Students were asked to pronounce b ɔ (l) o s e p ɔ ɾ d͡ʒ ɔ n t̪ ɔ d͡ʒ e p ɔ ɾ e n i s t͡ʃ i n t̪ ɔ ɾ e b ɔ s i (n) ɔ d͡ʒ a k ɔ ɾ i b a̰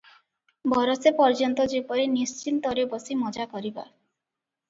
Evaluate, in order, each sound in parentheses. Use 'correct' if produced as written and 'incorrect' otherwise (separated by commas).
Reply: incorrect, incorrect